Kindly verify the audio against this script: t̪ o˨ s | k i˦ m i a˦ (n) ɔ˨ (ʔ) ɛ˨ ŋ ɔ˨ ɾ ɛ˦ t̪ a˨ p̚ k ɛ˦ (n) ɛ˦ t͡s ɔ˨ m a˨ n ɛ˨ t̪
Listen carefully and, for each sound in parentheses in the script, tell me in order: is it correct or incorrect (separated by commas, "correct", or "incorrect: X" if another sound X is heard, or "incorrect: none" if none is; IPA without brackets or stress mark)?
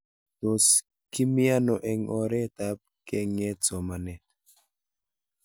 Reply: correct, correct, incorrect: ŋ